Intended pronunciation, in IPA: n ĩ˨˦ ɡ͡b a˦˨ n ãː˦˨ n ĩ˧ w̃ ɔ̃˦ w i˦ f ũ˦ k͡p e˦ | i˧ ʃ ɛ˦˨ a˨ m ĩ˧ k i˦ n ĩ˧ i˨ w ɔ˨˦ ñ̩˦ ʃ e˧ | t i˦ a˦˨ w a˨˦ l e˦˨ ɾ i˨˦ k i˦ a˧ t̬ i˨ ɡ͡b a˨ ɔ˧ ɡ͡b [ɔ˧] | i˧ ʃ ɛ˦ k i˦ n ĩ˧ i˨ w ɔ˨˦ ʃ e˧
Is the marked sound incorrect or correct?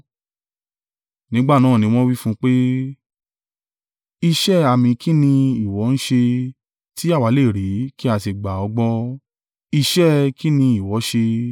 correct